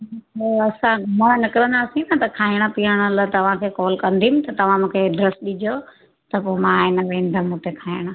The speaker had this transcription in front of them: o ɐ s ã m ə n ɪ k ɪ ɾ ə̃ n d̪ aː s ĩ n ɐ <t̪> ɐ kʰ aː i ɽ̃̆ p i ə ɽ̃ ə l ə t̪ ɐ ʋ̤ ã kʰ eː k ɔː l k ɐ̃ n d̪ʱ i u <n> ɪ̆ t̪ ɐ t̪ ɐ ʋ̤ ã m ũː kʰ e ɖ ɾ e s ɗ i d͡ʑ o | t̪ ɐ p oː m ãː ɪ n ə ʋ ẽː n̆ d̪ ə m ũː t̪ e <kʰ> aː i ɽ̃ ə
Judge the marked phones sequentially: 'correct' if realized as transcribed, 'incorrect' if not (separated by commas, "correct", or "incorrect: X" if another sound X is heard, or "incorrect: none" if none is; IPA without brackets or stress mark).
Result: correct, incorrect: m, correct